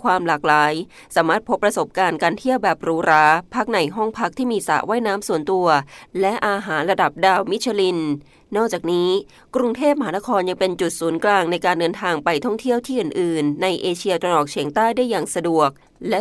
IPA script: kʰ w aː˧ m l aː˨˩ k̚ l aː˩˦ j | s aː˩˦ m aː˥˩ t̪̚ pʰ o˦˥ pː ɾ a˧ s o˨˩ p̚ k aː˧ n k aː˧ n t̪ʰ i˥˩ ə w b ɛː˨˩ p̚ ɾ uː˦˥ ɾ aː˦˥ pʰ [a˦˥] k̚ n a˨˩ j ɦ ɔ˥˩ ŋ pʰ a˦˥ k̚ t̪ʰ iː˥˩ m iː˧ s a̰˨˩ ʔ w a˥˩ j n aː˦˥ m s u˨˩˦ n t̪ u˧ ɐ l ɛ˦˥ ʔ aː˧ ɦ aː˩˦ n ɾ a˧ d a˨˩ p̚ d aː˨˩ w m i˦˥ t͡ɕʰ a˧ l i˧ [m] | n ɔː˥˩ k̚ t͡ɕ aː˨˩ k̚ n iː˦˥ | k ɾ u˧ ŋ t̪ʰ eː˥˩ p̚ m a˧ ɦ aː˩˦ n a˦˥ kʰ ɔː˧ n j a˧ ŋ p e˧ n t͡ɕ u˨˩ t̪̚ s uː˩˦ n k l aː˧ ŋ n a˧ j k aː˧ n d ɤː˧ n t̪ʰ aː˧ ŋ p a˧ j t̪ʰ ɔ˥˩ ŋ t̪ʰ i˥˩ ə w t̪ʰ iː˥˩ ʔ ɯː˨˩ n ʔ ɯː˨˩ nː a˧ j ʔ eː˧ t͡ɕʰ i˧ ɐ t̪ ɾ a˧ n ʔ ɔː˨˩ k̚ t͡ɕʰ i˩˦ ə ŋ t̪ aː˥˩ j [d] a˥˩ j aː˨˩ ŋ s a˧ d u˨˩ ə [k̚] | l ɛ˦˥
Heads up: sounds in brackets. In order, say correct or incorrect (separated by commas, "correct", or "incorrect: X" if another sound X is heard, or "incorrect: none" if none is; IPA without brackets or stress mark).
correct, incorrect: n, correct, correct